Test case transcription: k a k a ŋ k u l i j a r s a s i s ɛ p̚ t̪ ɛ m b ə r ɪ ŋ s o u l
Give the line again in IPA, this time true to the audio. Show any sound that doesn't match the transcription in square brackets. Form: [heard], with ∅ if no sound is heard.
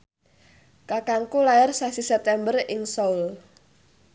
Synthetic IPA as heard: k a k a ŋ k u l [a] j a r s a s i s ɛ p̚ t̪ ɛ m b ə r ɪ ŋ s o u l